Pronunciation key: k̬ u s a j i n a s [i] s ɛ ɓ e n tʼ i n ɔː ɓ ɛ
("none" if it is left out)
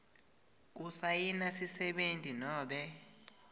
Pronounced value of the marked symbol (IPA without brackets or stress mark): i